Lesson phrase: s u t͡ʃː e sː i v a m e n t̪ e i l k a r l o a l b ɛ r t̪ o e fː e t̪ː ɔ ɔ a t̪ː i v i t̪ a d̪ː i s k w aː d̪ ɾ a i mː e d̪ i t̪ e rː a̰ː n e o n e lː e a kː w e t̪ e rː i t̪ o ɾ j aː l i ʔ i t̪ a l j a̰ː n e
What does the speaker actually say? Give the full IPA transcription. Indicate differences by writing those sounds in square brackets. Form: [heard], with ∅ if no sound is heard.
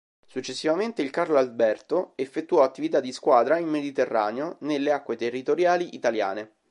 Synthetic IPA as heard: s u t͡ʃː e sː i v a m e n t̪ e i l k a r l o a l b ɛ r t̪ o e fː e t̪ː [u] ɔ a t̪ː i v i t̪ a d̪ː i s k w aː d̪ ɾ a i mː e d̪ i t̪ e rː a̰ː n e o n e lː e a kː w e t̪ e rː i t̪ o ɾ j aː l i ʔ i t̪ a l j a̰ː n e